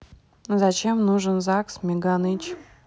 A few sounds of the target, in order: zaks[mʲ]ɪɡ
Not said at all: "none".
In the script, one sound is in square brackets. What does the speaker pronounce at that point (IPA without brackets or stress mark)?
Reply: mʲ